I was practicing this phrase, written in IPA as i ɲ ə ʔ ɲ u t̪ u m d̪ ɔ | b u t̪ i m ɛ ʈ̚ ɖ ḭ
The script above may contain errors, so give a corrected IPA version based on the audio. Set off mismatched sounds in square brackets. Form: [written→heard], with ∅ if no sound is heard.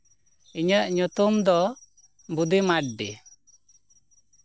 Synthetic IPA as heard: i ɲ ə ʔ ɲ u t̪ u m d̪ ɔ | b u [t̪→d̪] i m [ɛ→a] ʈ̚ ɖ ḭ